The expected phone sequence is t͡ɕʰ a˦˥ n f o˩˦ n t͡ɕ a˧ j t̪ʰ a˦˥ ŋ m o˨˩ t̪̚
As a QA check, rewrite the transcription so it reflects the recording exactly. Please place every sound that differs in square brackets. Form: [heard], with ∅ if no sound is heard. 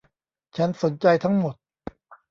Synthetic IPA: t͡ɕʰ a˦˥ n [s] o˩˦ n t͡ɕ a˧ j t̪ʰ a˦˥ ŋ m o˨˩ t̪̚